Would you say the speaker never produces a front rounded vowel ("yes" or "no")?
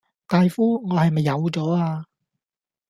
yes